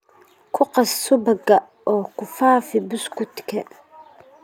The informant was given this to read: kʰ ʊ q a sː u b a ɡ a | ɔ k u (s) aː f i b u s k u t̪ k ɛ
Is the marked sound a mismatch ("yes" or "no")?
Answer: yes